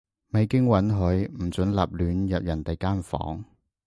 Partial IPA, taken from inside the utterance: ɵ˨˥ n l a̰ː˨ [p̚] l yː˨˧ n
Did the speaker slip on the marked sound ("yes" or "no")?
no